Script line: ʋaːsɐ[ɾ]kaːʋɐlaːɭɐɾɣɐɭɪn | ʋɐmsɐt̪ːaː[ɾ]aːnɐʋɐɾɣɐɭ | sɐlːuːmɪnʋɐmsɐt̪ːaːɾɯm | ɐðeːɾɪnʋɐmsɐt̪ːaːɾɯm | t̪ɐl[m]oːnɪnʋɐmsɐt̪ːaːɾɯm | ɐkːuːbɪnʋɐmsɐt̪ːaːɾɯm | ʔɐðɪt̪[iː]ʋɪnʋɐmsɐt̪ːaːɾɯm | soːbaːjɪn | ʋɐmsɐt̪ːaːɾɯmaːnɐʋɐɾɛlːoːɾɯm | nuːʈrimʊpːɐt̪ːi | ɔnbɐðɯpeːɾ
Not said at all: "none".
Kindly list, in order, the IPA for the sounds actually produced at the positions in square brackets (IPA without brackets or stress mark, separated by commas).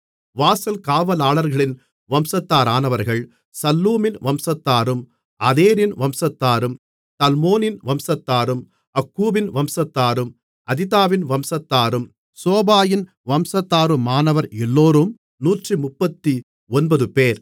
l, ɾ, m, aː